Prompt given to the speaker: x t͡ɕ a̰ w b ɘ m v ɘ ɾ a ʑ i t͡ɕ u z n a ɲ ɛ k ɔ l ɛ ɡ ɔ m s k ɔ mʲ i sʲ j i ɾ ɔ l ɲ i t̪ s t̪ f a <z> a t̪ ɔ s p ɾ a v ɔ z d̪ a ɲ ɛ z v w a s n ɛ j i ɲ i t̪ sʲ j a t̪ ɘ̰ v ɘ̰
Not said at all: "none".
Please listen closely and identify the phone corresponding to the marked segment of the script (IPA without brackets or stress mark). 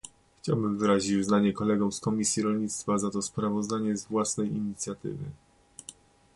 z